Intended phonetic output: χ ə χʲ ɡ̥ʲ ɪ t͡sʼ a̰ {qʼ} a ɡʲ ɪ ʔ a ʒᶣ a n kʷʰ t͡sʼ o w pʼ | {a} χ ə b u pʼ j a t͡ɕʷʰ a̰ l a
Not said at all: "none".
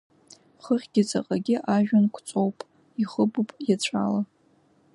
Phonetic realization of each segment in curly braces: qʼ, i

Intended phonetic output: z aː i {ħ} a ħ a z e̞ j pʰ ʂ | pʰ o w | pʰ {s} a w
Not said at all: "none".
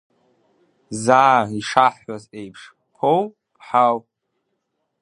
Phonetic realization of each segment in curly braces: ʂ, ħ

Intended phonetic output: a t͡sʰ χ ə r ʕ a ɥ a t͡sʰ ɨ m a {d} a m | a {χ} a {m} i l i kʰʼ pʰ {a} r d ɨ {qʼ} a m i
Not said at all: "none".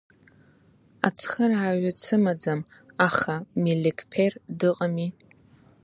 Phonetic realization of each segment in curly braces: d͡z, χ, m, e, qʼ

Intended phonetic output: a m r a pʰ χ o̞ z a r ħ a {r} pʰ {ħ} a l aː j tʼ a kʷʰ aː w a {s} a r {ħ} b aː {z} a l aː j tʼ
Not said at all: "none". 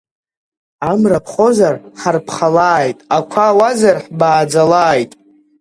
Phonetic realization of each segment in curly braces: r, χ, z, ħ, d͡z

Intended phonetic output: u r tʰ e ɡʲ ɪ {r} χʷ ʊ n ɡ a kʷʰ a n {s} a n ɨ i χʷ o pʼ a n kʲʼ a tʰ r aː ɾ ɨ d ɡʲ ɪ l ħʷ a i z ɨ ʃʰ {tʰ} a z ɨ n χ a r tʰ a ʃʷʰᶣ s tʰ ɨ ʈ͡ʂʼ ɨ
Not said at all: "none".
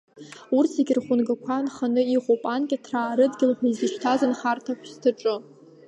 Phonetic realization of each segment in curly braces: r, χ, tʰ

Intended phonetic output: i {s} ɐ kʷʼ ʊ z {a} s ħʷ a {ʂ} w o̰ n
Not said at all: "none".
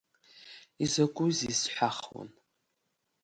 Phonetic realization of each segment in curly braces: z, i, χ

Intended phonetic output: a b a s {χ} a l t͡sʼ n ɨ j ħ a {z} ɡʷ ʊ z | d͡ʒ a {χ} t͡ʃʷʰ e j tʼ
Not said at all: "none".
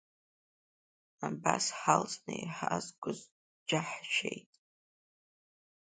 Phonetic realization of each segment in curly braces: ħ, z, ħ

